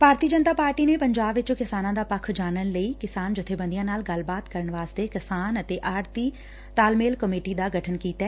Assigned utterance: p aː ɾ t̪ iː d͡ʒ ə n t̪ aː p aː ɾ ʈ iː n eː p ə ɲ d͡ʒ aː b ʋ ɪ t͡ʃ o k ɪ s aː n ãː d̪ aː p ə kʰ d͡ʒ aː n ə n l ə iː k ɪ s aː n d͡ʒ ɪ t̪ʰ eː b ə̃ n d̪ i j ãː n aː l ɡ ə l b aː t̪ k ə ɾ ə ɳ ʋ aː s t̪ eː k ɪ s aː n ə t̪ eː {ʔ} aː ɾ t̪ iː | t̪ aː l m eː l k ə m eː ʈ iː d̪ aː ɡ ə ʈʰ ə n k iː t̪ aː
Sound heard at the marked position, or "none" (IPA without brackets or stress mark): ʔ